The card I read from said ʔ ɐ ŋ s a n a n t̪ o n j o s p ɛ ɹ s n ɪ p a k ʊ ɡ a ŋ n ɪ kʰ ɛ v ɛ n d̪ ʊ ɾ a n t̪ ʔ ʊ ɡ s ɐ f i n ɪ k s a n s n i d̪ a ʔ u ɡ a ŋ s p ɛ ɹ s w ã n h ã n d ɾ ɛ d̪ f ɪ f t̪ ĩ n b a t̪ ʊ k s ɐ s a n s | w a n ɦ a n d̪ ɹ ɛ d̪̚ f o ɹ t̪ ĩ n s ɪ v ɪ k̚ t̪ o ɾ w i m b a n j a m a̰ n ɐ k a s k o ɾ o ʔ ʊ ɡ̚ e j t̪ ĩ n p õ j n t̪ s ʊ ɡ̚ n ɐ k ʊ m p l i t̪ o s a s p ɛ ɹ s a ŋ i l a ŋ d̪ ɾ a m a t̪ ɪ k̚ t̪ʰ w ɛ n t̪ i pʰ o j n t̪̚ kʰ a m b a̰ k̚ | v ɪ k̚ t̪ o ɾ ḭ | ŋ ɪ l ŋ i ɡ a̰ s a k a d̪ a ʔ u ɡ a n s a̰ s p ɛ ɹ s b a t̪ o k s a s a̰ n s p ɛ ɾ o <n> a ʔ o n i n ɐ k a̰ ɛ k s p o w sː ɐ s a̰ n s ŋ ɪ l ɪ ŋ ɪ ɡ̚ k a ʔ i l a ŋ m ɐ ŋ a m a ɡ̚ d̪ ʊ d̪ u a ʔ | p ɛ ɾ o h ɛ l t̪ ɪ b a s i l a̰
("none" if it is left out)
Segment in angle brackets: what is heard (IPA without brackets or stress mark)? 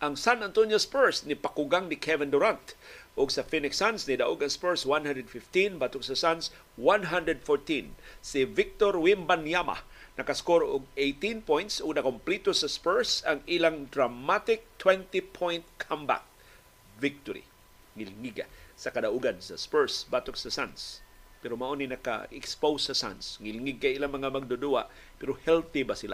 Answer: m